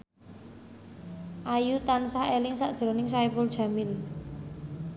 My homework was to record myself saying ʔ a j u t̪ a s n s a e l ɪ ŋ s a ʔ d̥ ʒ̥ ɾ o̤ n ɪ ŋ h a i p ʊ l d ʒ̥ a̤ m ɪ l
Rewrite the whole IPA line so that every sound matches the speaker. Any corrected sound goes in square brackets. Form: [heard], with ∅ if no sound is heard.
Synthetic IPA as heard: ʔ a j u t̪ a [∅] n s a e l ɪ ŋ s a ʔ d̥ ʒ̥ ɾ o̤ n ɪ ŋ [s] a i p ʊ l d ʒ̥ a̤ m ɪ l